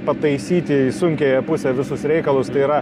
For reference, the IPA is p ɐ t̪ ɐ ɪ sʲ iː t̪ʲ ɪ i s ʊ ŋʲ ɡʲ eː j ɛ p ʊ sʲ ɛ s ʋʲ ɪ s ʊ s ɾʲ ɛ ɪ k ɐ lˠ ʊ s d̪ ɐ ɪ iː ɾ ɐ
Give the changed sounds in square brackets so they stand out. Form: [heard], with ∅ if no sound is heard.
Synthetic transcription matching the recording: p ɐ t̪ ɐ ɪ sʲ iː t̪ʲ ɪ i s ʊ ŋʲ [kʲ] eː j ɛ p ʊ sʲ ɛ [∅] ʋʲ ɪ s ʊ s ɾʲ ɛ ɪ k ɐ lˠ ʊ s [t̪] ɐ ɪ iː ɾ ɐ